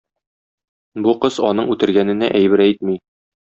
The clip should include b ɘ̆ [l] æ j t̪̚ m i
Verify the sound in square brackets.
incorrect: ɾ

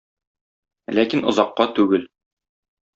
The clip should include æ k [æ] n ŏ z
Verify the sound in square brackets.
incorrect: i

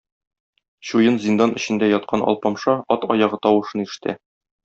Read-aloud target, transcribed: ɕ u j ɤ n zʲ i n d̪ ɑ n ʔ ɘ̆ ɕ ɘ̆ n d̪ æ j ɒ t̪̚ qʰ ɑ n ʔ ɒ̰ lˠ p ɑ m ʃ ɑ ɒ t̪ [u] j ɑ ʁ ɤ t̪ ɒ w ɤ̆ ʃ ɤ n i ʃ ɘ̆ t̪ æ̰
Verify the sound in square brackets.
incorrect: ɒ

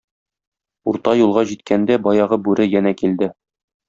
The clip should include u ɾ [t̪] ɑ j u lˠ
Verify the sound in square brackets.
correct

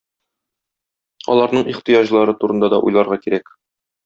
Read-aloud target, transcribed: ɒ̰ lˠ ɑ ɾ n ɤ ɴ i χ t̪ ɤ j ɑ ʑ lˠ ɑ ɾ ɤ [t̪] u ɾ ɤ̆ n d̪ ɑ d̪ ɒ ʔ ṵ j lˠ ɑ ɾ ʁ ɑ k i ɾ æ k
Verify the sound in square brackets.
correct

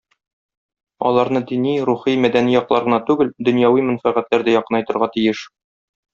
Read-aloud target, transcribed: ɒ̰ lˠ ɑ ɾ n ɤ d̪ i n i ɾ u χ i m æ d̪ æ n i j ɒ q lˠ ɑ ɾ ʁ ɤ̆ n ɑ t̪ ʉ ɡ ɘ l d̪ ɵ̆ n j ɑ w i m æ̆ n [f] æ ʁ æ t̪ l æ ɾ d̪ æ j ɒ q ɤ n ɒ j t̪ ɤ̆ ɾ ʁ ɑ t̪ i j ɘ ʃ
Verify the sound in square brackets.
correct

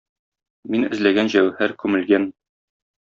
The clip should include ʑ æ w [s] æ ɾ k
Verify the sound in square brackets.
incorrect: h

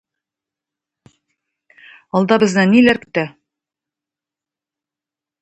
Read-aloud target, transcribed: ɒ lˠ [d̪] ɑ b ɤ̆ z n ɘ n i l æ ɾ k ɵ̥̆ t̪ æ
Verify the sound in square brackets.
correct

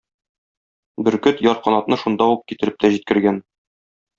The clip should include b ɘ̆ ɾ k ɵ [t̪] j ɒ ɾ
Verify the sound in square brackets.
correct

